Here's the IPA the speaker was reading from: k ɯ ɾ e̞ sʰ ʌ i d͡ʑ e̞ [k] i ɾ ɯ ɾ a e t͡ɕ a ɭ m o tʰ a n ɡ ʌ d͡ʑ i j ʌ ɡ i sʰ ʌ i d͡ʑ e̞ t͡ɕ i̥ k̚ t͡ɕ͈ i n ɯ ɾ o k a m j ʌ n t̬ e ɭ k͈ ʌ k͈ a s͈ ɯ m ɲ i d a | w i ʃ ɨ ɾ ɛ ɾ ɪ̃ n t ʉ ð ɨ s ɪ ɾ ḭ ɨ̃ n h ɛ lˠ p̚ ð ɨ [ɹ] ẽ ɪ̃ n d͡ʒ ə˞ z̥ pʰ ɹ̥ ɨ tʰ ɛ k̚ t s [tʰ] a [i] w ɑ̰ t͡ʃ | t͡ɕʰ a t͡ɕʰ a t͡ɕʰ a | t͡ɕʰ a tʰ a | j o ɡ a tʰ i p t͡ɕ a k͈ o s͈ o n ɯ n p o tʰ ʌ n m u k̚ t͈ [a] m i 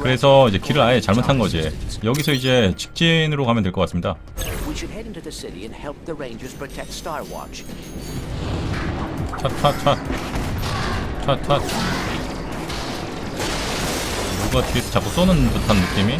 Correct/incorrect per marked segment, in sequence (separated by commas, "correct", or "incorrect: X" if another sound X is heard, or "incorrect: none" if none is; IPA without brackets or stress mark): correct, correct, incorrect: t, incorrect: ɪ, incorrect: i